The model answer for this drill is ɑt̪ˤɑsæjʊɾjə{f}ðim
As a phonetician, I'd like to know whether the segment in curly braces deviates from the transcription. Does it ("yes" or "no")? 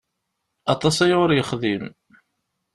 yes